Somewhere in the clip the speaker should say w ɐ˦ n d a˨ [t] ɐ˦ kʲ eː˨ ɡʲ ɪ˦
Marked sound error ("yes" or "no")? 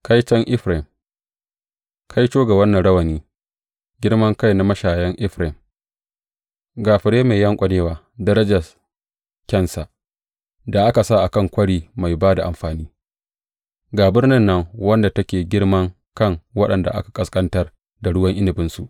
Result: no